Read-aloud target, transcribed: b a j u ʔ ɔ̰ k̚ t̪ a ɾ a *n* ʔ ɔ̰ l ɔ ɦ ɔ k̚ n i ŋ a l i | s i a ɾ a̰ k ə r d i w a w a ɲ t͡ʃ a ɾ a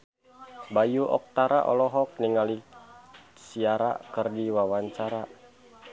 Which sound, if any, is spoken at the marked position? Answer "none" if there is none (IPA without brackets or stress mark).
none